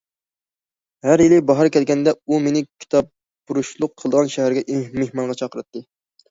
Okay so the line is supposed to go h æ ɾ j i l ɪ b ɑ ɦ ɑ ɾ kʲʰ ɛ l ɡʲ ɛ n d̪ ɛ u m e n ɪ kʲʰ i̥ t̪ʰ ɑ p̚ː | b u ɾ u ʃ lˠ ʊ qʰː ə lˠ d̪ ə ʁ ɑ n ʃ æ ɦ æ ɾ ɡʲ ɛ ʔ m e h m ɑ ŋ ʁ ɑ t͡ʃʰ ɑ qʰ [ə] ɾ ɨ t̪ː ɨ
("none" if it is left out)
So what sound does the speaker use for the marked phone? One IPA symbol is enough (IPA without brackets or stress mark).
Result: ə